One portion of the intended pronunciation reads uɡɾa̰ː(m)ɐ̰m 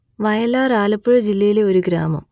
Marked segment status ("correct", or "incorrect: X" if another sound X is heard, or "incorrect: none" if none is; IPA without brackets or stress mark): correct